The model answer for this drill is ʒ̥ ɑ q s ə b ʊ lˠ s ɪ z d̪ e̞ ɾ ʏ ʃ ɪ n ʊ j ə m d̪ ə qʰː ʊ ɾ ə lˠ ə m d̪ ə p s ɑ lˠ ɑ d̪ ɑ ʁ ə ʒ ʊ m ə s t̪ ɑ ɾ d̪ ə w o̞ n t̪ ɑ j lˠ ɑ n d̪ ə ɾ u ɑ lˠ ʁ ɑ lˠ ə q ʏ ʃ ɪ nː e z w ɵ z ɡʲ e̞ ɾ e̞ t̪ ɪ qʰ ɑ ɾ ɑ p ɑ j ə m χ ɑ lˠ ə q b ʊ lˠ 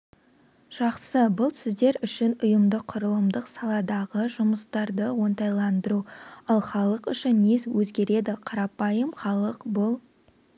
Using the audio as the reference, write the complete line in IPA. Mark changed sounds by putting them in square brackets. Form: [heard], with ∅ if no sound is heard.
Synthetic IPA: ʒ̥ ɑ q s ə b ʊ lˠ s ɪ z d̪ e̞ ɾ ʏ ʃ ɪ n ʊ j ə m d̪ ə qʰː ʊ ɾ ə lˠ ə m d̪ ə [q] s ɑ lˠ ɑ d̪ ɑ ʁ ə ʒ ʊ m ə s t̪ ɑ ɾ d̪ ə w o̞ n t̪ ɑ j lˠ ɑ n d̪ ə ɾ u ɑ lˠ [χ] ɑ lˠ ə q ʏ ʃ ɪ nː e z w ɵ z ɡʲ e̞ ɾ e̞ [d̪] ɪ qʰ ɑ ɾ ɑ p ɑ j ə m χ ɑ lˠ ə q b ʊ lˠ